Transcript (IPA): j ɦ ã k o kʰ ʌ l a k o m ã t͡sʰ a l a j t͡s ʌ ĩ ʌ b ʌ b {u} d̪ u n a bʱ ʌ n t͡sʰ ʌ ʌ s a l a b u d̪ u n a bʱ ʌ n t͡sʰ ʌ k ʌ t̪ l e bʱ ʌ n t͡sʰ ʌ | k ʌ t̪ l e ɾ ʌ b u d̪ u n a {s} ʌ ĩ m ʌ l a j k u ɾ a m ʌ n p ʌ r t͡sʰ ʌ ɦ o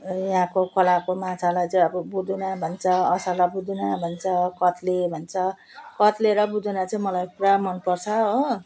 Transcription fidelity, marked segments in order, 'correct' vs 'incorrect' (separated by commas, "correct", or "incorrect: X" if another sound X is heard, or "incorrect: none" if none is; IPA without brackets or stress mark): correct, incorrect: t͡s